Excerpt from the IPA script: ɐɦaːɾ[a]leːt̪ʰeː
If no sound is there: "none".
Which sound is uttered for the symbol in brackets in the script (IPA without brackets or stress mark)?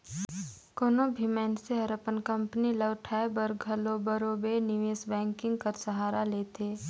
a